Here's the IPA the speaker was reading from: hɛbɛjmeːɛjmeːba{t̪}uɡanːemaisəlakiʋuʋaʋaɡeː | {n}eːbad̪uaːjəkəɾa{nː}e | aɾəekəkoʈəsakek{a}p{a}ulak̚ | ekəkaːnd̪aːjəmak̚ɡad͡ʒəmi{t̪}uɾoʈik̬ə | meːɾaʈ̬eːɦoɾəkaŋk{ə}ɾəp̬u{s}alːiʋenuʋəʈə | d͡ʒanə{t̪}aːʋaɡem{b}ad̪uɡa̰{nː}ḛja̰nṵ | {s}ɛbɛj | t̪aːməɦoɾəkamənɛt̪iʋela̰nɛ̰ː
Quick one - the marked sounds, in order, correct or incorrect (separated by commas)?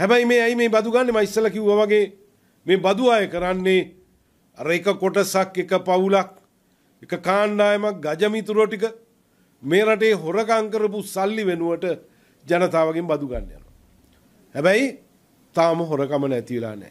incorrect, incorrect, correct, incorrect, correct, correct, correct, correct, correct, correct, correct, incorrect